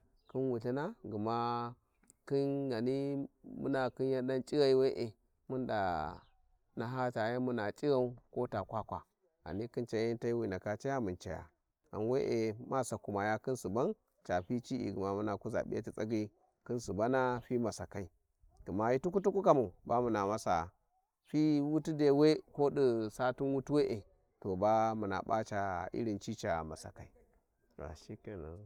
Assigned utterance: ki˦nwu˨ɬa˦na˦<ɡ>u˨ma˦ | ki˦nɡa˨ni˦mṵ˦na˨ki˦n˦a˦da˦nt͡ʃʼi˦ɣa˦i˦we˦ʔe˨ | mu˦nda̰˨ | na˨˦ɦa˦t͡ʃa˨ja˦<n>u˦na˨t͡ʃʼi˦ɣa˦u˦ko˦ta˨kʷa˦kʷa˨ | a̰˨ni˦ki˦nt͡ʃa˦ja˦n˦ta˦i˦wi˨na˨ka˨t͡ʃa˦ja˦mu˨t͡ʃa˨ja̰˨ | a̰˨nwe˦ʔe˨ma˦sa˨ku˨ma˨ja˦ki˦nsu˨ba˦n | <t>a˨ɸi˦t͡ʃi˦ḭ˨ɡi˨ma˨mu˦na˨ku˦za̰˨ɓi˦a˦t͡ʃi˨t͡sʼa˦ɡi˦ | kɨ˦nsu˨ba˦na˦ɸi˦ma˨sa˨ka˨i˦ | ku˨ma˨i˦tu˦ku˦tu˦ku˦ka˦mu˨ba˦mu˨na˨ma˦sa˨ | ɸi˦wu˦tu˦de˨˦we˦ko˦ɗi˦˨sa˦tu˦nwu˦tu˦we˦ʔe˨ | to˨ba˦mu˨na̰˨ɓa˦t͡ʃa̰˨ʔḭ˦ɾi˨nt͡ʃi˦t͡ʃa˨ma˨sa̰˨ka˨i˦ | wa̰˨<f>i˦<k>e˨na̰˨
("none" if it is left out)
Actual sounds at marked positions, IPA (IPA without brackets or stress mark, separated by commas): ɡ, m, t͡ʃ, ʃ, k